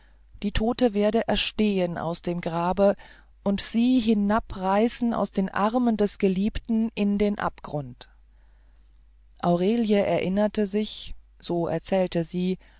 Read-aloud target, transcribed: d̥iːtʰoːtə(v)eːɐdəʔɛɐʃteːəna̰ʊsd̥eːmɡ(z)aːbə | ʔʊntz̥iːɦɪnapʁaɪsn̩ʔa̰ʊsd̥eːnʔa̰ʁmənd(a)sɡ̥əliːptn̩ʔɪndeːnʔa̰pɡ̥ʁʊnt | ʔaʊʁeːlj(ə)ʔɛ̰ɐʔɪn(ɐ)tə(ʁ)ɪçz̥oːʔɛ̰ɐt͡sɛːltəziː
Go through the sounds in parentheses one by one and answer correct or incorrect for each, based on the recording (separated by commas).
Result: correct, incorrect, incorrect, correct, correct, incorrect